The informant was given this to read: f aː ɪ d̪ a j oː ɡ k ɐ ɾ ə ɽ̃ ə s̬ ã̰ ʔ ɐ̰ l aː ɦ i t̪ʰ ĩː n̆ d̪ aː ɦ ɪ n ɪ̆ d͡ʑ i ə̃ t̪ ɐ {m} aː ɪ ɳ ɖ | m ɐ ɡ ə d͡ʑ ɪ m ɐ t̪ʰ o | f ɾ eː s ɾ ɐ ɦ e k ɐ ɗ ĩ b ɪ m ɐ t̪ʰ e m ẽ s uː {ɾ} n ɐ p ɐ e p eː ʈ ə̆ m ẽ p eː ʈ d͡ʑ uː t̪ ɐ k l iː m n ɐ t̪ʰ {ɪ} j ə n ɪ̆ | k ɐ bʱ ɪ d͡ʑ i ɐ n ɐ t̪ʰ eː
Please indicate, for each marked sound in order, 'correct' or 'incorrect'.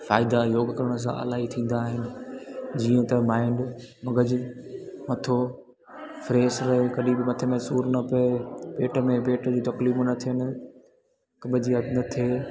correct, correct, incorrect: i

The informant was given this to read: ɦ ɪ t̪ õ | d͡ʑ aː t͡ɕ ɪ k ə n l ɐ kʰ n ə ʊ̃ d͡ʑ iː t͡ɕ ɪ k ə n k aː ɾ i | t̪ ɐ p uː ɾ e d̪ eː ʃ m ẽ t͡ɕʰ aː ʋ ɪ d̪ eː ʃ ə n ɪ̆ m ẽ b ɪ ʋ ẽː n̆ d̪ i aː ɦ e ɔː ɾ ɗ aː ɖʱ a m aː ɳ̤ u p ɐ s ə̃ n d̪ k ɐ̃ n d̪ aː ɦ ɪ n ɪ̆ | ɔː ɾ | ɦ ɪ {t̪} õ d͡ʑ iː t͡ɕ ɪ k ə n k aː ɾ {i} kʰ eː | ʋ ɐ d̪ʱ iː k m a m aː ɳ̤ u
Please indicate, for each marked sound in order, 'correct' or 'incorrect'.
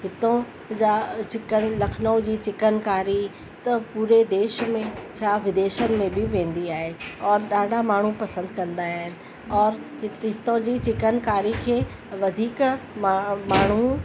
correct, correct

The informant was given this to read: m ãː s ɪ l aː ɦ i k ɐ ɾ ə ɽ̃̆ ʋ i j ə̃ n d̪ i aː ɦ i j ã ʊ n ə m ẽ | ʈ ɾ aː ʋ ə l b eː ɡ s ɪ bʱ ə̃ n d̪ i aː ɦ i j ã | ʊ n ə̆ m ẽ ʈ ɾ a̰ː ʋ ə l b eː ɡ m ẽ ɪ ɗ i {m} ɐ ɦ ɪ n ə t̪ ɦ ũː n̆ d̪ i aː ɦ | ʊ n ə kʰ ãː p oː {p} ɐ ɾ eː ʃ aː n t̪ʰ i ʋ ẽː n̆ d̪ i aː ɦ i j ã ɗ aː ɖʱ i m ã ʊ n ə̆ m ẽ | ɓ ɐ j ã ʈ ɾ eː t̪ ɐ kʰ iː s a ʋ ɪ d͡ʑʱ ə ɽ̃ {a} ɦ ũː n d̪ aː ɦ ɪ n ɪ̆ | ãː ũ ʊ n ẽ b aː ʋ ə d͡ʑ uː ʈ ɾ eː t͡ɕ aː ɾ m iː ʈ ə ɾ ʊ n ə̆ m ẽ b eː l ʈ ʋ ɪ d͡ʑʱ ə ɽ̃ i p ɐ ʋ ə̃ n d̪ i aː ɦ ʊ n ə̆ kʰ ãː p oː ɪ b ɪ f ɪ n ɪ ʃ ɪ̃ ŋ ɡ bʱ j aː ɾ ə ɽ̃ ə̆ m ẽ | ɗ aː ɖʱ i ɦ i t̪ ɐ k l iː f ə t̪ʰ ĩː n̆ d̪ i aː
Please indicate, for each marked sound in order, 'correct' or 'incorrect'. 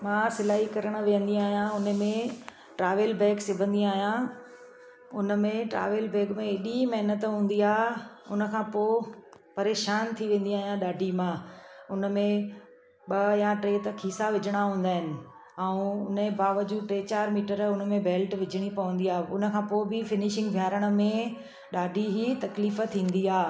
correct, correct, correct

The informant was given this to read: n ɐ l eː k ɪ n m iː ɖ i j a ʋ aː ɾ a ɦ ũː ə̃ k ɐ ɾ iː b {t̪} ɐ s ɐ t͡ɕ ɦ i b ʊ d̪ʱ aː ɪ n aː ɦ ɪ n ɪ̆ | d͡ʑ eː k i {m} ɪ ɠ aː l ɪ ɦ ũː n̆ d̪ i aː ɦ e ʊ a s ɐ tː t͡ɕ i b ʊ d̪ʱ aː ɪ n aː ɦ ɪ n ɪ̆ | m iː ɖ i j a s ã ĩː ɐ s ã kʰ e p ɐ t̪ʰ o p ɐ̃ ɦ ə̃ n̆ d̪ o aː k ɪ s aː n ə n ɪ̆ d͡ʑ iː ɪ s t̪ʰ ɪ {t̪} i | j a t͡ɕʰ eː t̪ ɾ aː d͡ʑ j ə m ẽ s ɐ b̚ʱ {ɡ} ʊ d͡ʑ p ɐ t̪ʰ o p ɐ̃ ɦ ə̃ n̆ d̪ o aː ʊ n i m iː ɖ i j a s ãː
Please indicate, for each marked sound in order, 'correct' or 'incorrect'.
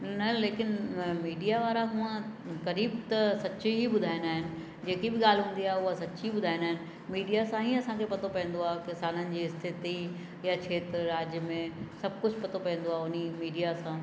correct, incorrect: b, correct, incorrect: k

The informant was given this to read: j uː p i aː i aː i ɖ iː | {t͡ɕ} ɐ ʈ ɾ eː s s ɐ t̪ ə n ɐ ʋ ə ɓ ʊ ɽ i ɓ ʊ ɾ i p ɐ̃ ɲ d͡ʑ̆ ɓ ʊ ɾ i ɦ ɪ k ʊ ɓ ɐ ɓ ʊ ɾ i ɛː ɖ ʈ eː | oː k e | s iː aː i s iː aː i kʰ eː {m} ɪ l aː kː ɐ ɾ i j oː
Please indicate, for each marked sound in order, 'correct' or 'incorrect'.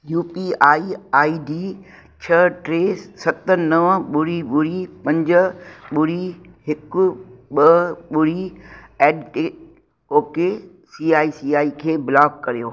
incorrect: t͡ɕʰ, incorrect: b

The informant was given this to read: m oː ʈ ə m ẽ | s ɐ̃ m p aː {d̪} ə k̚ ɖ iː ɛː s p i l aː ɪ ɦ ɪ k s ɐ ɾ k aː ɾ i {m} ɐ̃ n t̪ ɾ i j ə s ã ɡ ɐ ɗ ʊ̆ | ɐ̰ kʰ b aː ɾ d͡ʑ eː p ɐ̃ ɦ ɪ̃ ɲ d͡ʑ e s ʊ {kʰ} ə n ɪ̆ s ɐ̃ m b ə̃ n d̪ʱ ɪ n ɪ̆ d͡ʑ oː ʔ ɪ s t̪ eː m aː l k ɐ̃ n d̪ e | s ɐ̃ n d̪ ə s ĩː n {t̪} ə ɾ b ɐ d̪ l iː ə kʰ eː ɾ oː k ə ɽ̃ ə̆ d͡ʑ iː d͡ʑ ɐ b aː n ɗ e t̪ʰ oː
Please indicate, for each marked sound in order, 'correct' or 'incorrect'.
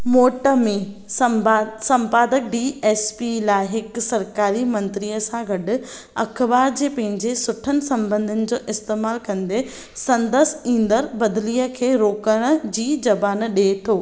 correct, correct, incorrect: ʈʰ, incorrect: d̪

